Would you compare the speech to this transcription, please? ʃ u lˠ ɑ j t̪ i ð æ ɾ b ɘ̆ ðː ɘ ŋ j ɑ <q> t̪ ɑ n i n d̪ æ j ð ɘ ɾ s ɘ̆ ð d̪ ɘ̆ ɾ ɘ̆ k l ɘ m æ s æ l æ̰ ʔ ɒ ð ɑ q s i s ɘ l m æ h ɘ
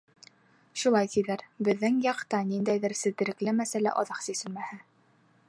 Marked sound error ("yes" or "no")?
no